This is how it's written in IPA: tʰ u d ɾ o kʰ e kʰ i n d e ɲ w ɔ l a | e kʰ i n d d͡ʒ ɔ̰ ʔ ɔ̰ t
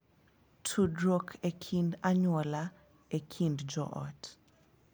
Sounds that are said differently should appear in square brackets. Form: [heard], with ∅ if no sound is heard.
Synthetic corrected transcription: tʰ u d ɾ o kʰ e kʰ i n d [a] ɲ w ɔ l a | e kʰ i n d d͡ʒ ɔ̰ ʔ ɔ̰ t